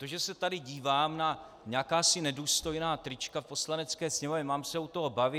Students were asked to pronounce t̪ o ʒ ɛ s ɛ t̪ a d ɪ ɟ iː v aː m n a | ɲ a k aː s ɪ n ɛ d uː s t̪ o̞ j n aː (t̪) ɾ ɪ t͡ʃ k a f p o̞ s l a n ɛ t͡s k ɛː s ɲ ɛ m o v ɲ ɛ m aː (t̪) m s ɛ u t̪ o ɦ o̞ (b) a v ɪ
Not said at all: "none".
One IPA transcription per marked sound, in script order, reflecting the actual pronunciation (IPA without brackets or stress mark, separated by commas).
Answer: t̪, none, b